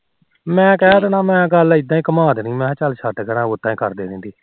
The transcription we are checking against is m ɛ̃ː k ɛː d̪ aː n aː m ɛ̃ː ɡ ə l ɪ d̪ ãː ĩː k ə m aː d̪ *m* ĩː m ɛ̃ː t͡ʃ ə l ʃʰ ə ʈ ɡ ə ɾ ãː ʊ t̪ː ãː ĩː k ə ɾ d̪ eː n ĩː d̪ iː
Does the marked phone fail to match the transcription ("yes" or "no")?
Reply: yes